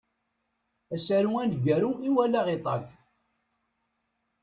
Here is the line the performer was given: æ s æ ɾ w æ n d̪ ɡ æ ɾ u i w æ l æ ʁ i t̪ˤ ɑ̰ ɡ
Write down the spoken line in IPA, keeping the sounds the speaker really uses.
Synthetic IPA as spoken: æ s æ ɾ u æ n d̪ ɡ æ ɾ u i w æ l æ ʁ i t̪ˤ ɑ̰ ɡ